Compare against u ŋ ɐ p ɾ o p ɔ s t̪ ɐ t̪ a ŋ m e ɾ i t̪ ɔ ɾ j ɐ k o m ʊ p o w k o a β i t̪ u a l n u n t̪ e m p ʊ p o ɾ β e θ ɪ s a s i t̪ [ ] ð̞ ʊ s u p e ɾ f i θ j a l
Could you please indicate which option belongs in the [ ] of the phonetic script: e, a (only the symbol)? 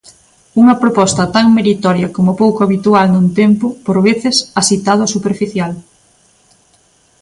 a